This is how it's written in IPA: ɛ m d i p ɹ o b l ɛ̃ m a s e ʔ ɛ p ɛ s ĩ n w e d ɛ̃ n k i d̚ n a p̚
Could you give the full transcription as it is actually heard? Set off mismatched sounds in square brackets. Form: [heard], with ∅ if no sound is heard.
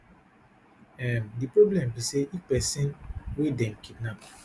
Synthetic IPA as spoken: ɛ m d i p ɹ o b l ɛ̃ m [i] s e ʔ [i] p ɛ s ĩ n w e d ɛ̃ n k i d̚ n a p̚